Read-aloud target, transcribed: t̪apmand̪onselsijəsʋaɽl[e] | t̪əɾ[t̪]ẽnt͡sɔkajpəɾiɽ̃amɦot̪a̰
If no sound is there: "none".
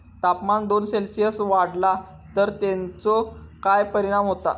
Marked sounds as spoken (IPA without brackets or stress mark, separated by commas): a, t̪